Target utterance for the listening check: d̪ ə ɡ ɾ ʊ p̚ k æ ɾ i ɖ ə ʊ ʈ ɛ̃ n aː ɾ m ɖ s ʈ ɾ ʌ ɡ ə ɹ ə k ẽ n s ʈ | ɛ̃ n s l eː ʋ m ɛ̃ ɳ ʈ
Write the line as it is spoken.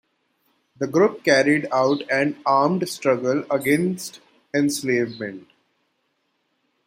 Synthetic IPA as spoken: d̪ ə ɡ ɾ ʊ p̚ k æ ɾ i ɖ a ʊ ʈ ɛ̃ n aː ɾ m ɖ s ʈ ɾ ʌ ɡ ə l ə ɡ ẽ n s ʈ | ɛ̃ n s l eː ʋ m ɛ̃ ɳ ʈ

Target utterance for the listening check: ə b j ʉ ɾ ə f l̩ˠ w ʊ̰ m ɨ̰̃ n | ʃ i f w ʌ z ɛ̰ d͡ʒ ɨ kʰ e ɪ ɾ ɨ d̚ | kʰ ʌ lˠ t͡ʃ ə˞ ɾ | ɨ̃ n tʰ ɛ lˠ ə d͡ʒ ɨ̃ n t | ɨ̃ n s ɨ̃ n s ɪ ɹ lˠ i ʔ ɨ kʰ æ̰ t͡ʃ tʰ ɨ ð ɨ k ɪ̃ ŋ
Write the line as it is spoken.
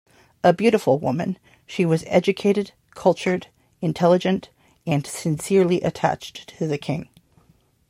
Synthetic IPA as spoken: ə b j ʉ ɾ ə f l̩ˠ w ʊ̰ m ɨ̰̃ n | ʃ i w ʌ z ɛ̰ d͡ʒ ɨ kʰ e ɪ ɾ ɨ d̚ | kʰ ʌ lˠ t͡ʃ ə˞ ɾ | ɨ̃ n tʰ ɛ lˠ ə d͡ʒ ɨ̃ n t | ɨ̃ n s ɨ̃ n s ɪ ɹ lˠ i ʔ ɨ tʰ æ̰ t͡ʃ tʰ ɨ ð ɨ kʰ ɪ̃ ŋ

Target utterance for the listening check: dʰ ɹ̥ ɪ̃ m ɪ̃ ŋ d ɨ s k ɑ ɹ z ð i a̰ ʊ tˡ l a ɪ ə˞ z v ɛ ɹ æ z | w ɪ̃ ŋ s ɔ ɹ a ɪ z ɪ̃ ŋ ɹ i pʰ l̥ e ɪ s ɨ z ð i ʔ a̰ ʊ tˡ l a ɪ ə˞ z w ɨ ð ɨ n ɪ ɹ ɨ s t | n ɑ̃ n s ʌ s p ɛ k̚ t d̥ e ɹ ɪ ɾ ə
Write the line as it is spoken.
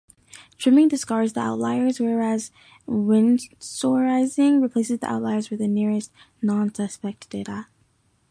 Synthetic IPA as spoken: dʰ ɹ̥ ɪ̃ m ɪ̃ ŋ d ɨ s k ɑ ɹ z ð i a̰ ʊ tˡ l a ɪ ə˞ z w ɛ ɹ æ z | w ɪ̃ n s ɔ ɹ a ɪ z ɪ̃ ŋ ɹ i pʰ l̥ e ɪ s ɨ z ð i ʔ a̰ ʊ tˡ l a ɪ ə˞ z w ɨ ð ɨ n ɪ ɹ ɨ s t | n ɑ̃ n s ʌ s p ɛ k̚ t d̥ e ɪ ɾ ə

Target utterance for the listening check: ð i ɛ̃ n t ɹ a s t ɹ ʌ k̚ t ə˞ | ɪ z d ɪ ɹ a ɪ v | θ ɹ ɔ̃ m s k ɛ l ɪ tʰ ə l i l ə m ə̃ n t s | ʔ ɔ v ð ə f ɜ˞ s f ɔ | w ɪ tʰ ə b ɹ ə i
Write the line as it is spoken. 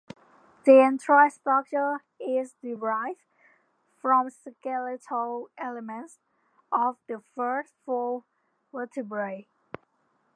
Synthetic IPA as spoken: ð i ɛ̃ n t ɹ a s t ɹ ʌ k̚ t͡ʃ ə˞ | ɪ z d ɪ ɹ a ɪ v | f ɹ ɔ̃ m s k ɛ l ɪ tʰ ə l ɛ l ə m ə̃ n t s | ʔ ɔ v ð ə f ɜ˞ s f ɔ | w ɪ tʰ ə b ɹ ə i

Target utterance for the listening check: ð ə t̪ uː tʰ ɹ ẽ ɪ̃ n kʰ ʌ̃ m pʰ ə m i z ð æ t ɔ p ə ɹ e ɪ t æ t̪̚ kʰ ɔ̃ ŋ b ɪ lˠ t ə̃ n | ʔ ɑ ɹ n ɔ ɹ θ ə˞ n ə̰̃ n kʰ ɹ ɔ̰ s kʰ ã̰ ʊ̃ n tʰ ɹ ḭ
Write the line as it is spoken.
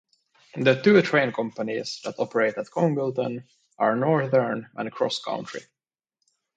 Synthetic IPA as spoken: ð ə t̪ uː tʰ ɹ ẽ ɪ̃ n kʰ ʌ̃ m p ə n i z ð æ t ɔ p ə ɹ e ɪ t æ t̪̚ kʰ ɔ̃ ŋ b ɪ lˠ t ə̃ n | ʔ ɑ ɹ n ɔ ɹ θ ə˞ n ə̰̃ n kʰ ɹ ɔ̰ s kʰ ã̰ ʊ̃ n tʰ ɹ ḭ

